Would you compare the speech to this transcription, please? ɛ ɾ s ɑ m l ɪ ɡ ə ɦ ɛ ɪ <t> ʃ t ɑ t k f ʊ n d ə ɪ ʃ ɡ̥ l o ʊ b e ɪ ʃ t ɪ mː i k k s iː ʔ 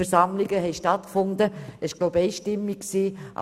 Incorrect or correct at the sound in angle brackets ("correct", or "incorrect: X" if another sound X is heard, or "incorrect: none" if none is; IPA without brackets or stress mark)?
incorrect: none